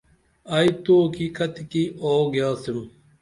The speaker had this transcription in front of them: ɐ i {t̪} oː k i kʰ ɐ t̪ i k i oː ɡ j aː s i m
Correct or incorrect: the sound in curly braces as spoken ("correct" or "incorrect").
correct